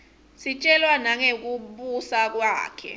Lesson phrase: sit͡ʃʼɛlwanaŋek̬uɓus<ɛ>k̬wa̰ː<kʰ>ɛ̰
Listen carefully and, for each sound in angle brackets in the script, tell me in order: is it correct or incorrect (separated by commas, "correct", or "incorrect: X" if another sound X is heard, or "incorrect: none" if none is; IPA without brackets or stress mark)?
incorrect: a, correct